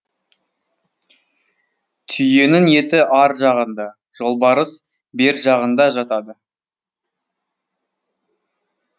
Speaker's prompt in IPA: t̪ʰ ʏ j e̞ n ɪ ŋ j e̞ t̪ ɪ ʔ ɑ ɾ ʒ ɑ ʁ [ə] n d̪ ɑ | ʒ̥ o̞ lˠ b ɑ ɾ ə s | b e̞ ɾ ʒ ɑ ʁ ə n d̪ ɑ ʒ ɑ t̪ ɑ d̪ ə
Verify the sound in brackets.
correct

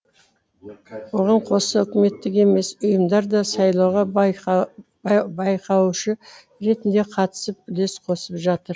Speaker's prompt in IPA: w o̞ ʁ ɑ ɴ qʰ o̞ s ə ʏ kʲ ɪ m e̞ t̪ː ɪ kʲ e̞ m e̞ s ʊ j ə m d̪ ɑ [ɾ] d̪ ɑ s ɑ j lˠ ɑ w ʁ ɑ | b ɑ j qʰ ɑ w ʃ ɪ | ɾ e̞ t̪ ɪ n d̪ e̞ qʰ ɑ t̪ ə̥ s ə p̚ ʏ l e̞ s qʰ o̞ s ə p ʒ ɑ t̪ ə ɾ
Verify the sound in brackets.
correct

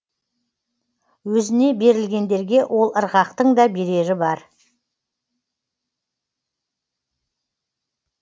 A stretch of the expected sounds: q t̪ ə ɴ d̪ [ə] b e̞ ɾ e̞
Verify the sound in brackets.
incorrect: ɑ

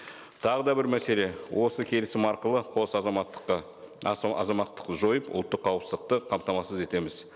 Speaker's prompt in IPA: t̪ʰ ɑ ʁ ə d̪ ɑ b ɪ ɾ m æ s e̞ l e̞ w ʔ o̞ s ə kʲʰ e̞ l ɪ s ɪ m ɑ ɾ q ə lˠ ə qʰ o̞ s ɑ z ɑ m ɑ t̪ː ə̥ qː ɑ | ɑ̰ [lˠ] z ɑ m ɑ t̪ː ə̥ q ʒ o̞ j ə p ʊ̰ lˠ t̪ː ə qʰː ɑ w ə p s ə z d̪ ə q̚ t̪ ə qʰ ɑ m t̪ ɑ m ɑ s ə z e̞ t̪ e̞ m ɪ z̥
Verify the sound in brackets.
incorrect: none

